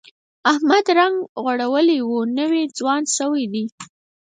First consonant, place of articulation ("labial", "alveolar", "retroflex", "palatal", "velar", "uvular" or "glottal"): glottal